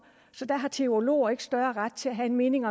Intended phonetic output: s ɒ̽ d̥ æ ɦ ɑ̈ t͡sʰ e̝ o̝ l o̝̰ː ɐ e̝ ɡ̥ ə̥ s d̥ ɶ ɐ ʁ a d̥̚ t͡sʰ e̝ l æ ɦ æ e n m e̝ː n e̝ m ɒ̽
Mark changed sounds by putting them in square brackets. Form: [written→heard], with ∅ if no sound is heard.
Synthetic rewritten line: s ɒ̽ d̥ æ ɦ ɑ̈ t͡sʰ e̝ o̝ l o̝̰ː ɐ e̝ ɡ̥ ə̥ s d̥ ɶ ɐ ʁ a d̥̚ t͡sʰ e̝ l æ ɦ æ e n m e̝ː n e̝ [m→ŋ] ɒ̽